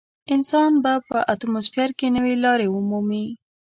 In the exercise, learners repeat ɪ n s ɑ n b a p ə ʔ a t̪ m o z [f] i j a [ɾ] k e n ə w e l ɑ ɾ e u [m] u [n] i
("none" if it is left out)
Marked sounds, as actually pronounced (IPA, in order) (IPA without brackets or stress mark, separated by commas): f, ɾ, m, m